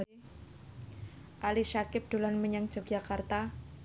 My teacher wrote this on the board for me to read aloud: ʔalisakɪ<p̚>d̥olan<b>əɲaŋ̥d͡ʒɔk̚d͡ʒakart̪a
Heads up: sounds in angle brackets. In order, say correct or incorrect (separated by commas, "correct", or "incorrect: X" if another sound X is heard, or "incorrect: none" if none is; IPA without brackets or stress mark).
correct, incorrect: m